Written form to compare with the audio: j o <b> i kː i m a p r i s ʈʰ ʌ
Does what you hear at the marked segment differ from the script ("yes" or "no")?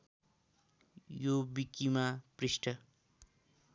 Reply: no